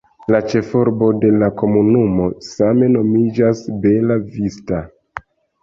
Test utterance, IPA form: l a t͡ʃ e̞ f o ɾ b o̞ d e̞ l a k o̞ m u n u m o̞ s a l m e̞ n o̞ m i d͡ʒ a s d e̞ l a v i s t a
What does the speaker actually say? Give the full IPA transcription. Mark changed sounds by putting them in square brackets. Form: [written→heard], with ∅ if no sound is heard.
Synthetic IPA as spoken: l a t͡ʃ e̞ f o ɾ b o̞ d e̞ l a k o̞ m u n u m o̞ s a [l→∅] m e̞ n o̞ m i d͡ʒ a s [d→b] e̞ l a v i s t a